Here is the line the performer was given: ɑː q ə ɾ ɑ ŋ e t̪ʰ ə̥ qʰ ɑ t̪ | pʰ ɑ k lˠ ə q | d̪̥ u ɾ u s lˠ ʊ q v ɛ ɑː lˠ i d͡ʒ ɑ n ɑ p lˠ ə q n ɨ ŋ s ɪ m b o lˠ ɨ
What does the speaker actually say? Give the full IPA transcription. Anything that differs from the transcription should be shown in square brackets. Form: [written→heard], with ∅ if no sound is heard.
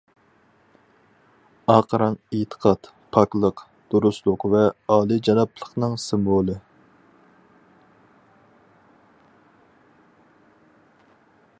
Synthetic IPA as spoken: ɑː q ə ɾ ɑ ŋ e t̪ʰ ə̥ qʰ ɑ t̪ | pʰ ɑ k lˠ ə q | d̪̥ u ɾ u s lˠ ʊ q v ɛ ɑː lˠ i d͡ʒ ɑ n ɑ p lˠ ə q n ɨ ŋ s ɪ m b o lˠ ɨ